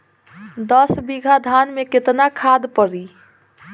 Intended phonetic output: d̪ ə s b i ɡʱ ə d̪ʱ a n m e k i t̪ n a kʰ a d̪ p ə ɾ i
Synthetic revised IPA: d̪ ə s b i ɡʱ a d̪ʱ a n m e k e t̪ n a kʰ a d̪ p ə ɾ i